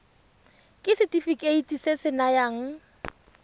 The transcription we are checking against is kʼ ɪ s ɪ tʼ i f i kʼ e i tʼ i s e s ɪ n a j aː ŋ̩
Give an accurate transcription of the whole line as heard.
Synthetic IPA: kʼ ɪ s ɪ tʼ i f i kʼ e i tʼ i s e s ɪ n a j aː ŋ̩